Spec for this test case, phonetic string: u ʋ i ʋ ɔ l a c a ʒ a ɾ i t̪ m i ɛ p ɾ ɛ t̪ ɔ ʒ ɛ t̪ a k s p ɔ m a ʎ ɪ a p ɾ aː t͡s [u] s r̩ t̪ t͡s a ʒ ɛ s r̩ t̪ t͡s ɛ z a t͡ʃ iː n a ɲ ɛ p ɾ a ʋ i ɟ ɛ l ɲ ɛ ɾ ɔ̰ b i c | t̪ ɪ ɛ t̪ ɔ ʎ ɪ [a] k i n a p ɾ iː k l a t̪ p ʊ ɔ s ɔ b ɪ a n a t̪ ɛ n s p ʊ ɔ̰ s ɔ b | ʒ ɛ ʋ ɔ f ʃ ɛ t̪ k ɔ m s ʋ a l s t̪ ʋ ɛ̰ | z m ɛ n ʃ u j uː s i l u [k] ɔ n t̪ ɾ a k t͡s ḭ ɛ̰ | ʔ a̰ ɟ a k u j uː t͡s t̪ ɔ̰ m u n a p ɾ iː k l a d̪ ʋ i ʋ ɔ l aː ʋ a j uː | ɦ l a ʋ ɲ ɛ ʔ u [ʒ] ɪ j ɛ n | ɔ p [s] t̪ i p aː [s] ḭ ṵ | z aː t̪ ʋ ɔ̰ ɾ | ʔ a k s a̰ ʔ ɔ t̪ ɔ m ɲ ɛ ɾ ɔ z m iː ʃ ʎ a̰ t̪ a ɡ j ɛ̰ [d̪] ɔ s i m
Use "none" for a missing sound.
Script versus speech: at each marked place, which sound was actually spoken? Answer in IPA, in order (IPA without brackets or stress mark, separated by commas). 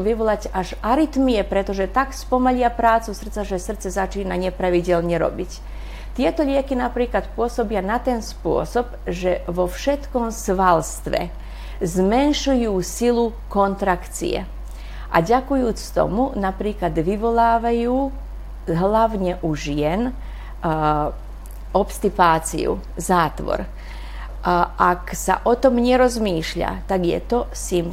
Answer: u, ɛ, k, ʒ, s, t͡s, t̪